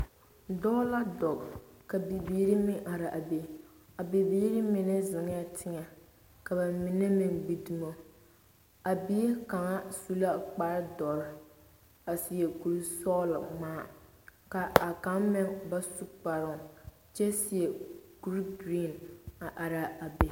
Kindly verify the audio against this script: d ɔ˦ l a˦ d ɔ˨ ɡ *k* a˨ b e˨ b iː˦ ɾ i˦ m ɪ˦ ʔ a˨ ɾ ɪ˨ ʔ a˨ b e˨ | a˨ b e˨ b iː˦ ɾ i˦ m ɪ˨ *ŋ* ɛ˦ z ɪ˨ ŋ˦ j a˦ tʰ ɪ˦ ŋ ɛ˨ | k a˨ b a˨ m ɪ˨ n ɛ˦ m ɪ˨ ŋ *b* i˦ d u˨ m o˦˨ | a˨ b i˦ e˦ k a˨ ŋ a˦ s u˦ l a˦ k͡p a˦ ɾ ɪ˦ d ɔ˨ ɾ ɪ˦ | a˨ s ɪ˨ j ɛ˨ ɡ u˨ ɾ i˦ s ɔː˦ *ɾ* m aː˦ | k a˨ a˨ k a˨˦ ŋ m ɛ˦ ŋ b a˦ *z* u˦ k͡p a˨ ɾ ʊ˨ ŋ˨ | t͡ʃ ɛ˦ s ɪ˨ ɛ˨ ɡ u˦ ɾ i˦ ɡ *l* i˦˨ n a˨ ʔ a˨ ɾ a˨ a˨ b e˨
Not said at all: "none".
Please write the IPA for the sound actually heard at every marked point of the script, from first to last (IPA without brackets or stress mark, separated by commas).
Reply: k, n, b, l, s, ɾ